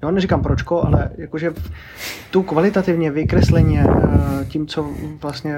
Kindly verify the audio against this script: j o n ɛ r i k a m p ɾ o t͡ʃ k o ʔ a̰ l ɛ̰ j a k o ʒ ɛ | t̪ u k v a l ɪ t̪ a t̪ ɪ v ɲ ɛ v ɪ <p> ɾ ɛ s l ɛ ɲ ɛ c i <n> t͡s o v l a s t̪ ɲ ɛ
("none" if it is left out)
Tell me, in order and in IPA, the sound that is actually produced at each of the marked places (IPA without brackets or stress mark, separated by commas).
k, m